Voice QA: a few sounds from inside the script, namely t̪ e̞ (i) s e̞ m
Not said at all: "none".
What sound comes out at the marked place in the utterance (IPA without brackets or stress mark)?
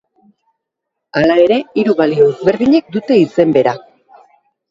i